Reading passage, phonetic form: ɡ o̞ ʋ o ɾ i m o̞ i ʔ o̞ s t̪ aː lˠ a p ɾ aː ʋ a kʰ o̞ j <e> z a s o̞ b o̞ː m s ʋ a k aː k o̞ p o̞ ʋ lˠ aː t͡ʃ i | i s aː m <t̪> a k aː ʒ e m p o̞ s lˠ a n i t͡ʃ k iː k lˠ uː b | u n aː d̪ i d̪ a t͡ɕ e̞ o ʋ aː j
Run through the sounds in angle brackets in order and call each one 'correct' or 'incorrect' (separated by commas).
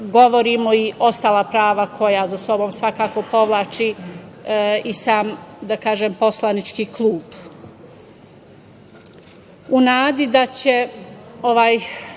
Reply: incorrect, incorrect